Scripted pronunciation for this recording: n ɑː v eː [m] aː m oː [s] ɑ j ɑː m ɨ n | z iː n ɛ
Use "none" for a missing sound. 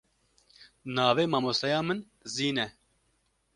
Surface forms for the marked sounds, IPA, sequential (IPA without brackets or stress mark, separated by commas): m, s